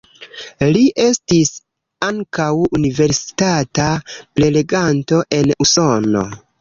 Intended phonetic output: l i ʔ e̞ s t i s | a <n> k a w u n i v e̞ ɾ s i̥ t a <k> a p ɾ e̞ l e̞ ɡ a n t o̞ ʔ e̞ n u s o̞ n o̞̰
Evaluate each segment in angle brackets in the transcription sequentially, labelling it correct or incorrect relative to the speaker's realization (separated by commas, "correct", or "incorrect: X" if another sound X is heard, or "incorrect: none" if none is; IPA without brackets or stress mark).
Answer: incorrect: ŋ, incorrect: t